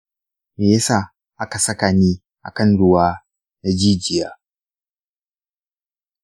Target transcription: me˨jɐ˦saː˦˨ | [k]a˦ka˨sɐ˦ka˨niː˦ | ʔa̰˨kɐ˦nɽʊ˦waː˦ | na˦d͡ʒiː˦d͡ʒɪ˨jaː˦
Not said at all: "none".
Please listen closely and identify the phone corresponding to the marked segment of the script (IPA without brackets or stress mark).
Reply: ʔ